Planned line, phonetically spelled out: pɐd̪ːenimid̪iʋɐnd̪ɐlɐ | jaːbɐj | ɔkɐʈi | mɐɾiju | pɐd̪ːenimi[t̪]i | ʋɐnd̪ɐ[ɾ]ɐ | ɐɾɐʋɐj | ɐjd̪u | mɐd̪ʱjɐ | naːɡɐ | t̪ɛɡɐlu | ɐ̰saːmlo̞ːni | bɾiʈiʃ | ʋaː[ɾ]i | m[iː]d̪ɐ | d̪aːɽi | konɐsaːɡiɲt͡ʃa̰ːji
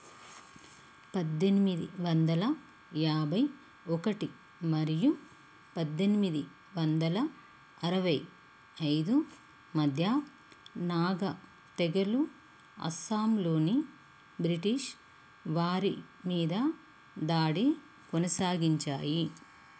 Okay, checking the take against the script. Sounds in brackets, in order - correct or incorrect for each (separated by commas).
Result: incorrect, incorrect, correct, correct